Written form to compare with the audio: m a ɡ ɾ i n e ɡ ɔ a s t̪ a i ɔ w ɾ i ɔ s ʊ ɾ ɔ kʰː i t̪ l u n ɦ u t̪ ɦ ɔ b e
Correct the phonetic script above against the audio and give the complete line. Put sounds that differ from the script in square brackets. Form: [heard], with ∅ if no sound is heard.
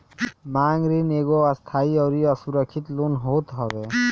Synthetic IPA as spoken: m a [ŋ] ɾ i n e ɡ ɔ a s [t̪ʰ] a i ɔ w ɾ i ɔ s [u] ɾ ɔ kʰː i t̪ l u n ɦ [o] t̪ ɦ ɔ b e